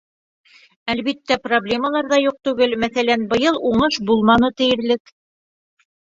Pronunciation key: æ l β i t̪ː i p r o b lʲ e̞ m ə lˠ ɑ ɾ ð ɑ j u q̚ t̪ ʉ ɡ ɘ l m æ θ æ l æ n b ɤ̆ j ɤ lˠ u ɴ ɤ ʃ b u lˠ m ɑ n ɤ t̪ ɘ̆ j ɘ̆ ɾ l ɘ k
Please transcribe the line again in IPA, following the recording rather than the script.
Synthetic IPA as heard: æ l β i t̪ː æ p r o b lʲ e̞ m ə lˠ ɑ ɾ ð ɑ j u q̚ t̪ ʉ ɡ ɘ l m æ θ æ l æ n b ɤ̆ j ɤ lˠ u ɴ ɤ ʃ b u lˠ m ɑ n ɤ t̪ ɘ̆ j ɘ̆ ɾ l ɘ k